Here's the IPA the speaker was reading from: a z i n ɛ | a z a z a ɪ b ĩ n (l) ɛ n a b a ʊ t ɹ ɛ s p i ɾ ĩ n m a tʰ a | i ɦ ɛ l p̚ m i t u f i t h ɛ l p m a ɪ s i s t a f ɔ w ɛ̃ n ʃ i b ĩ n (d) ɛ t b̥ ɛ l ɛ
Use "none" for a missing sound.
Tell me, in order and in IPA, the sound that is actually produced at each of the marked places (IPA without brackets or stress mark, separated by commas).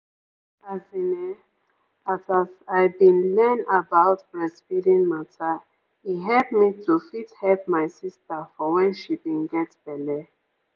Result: l, ɡ